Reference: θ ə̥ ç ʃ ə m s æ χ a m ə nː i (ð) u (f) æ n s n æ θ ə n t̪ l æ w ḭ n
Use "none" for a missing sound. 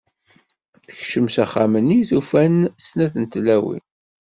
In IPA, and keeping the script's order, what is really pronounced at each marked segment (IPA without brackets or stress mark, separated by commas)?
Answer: θ, f